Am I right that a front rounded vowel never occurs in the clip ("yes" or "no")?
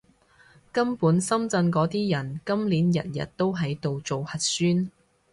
no